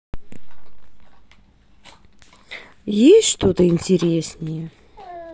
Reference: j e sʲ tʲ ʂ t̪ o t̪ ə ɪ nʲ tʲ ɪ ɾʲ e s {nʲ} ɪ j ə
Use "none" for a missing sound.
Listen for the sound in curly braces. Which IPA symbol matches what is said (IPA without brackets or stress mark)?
nʲ